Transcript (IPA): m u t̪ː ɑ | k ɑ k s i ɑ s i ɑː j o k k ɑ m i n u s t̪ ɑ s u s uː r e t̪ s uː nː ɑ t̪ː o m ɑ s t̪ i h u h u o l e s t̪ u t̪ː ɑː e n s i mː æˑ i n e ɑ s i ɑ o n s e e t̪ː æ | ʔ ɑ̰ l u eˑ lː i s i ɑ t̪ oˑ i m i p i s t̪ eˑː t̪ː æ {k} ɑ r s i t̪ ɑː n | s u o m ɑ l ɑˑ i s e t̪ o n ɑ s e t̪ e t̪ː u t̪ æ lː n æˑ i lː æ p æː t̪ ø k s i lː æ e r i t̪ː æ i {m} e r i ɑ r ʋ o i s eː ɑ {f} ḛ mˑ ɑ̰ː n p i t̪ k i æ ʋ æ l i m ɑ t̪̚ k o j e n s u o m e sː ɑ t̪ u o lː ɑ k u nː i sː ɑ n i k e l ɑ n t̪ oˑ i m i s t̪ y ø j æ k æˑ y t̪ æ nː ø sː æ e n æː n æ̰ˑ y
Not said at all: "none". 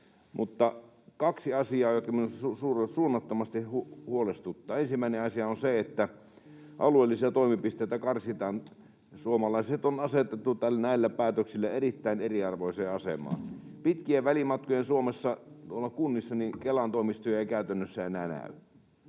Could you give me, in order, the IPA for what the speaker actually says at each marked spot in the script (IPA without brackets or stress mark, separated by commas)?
k, n, s